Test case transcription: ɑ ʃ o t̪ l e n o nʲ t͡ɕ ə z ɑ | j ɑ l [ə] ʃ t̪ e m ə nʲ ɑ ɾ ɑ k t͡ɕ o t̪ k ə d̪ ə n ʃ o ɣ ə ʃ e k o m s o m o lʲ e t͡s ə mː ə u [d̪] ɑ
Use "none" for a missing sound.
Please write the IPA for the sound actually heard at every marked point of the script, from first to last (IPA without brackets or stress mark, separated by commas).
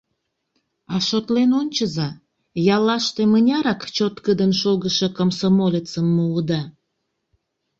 ɑ, d̪